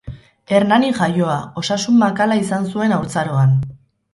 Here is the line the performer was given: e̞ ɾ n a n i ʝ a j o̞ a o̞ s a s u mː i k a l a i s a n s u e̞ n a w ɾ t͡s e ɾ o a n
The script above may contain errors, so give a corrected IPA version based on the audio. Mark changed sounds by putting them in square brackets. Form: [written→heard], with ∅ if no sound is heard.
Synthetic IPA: e̞ ɾ n a n i ʝ a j o̞ a o̞ s a s u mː [i→a] k a l a i s a n s u e̞ n a w ɾ t͡s [e→a] ɾ o a n